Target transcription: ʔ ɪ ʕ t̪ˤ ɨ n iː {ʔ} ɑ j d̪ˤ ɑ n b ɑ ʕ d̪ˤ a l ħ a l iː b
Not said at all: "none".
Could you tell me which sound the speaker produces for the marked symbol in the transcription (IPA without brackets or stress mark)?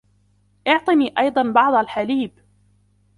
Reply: ʔ